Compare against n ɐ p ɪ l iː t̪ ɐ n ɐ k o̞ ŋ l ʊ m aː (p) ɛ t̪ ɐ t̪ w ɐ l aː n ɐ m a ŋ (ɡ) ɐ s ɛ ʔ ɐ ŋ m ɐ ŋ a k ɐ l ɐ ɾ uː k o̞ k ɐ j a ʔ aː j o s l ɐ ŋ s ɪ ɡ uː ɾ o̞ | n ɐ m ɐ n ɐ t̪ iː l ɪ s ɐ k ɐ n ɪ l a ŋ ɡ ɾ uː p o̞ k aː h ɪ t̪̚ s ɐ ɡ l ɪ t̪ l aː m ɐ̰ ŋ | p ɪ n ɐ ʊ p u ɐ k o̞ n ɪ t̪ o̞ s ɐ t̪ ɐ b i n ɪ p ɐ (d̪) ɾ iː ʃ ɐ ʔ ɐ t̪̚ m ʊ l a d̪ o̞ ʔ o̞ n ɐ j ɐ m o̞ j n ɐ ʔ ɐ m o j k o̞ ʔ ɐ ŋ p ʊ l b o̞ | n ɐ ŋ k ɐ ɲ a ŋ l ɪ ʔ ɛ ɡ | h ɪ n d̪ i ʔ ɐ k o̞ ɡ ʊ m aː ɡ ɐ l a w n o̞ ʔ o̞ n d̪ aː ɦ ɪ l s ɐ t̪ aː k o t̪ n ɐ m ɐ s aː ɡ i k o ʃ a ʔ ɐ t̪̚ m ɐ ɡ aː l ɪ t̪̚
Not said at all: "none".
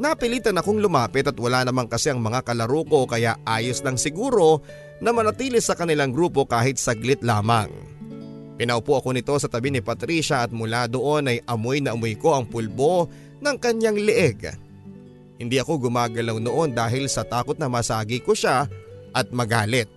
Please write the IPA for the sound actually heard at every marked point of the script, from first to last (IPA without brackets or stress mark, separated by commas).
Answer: p, k, t̪